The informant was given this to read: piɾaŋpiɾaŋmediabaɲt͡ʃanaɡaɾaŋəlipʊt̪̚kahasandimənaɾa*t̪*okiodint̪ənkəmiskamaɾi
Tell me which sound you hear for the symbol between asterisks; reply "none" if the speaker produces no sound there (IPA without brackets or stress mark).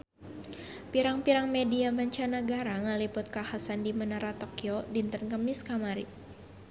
t̪